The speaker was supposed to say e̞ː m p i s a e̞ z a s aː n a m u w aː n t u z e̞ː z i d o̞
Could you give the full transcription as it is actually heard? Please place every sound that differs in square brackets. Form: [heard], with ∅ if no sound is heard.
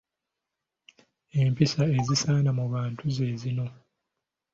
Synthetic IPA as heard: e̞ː m p i s a e̞ z [i] s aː n a m u [β] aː n t u z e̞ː z i [n] o̞